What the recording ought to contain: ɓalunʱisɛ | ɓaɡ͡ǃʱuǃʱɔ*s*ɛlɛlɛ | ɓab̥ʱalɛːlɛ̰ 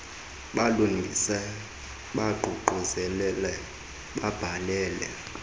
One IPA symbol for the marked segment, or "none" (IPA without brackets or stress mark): z